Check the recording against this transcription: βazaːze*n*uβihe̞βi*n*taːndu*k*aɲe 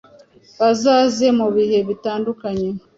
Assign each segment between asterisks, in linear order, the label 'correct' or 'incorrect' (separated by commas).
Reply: incorrect, incorrect, correct